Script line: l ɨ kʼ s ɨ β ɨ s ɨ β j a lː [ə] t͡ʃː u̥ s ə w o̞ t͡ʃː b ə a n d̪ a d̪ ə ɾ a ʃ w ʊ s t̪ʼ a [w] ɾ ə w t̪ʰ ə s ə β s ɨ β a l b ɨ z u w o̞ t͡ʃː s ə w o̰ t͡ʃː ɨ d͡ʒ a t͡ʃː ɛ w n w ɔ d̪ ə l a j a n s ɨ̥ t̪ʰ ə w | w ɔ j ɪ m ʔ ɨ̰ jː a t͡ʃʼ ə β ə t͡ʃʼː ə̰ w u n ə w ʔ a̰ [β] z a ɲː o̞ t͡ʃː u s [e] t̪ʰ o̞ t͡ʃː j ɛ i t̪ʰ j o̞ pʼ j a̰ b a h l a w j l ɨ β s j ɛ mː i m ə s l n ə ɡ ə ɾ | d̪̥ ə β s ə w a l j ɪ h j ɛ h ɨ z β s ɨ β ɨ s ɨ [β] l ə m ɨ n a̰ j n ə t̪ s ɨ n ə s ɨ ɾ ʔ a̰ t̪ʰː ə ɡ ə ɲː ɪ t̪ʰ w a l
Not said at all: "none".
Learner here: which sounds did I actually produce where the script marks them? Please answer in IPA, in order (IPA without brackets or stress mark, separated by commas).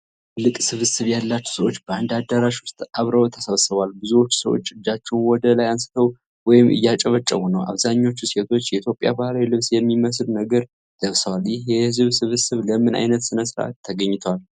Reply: a, β, β, e, β